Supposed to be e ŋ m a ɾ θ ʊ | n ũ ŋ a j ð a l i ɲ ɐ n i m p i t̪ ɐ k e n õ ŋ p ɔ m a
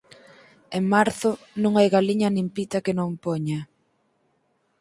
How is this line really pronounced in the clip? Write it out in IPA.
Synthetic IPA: e ŋ m a ɾ θ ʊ | n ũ ŋ a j ɣ a l i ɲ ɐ n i m p i t̪ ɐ k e n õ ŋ p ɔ ɲ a

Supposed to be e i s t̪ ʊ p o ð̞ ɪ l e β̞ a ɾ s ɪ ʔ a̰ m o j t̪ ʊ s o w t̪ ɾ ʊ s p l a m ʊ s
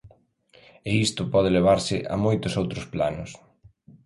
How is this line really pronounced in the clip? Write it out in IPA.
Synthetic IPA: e i s t̪ ʊ p ɔ ð̞ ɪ l e β̞ a ɾ s ɪ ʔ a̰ m o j t̪ ʊ s o w t̪ ɾ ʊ s p l a n ʊ s

